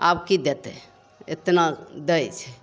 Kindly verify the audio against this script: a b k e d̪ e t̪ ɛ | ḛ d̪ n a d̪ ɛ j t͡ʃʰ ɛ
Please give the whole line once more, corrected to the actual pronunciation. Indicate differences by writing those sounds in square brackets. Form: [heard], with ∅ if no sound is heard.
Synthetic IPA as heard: a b k [i] d̪ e t̪ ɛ | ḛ [t̪] n a d̪ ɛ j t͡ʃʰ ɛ